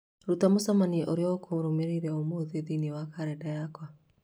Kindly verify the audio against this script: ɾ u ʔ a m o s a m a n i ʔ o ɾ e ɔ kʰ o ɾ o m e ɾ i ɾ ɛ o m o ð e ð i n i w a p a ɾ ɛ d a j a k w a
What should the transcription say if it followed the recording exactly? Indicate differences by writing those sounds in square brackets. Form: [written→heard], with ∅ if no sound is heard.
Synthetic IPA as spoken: ɾ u [ʔ→t] a m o s a m a n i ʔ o ɾ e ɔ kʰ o ɾ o m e ɾ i ɾ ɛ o m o ð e ð i n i w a [p→k] a ɾ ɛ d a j a k w a